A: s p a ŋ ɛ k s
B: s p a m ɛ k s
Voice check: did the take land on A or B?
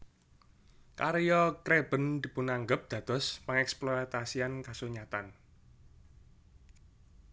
A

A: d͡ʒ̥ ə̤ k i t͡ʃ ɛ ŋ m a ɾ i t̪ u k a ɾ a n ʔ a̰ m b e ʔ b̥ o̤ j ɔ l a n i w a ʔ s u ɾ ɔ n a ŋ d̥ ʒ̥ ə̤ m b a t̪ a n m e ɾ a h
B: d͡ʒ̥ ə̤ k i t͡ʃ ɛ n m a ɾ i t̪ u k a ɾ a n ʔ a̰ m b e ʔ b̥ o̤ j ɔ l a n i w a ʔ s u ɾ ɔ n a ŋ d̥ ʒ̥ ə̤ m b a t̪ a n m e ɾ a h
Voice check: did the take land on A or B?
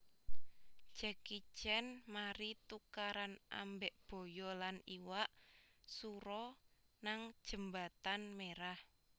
B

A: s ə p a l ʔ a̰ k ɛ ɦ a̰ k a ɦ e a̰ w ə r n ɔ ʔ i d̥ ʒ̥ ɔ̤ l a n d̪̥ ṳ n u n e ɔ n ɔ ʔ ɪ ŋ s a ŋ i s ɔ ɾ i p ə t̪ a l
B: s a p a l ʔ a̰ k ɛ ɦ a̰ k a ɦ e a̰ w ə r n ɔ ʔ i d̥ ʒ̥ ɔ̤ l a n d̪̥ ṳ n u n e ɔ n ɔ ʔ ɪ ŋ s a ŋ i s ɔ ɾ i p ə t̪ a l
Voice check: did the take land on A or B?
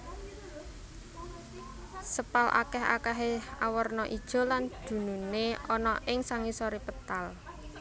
A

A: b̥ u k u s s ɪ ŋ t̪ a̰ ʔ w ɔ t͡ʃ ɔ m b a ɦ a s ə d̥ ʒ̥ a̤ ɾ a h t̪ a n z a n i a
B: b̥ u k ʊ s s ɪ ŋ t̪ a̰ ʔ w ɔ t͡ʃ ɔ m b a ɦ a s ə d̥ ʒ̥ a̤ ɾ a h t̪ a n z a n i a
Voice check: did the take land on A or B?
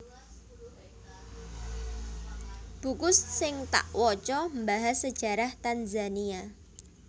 B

